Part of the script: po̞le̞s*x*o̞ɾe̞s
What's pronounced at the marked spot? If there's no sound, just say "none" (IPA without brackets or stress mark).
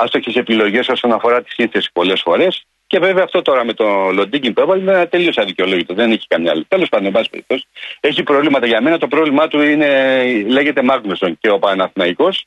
f